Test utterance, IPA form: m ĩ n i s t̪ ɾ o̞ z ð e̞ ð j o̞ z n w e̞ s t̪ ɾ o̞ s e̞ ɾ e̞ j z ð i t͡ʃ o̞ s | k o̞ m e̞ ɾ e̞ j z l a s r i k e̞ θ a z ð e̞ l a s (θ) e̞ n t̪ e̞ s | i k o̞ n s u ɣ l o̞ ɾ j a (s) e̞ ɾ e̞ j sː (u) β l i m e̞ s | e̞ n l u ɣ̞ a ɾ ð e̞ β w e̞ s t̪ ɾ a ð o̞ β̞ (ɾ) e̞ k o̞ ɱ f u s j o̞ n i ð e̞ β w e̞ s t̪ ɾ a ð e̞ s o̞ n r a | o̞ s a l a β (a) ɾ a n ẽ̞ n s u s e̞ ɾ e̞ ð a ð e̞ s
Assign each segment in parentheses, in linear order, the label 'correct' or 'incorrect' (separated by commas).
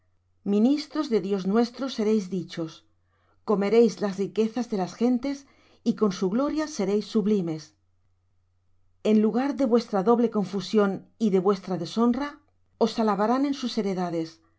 incorrect, correct, correct, incorrect, correct